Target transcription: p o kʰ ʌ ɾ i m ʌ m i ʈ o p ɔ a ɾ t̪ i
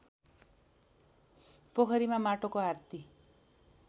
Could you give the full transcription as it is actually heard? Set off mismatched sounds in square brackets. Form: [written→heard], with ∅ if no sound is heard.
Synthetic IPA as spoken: p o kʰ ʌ ɾ i m [ʌ→a] m [i→a] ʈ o [p→k] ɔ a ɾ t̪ i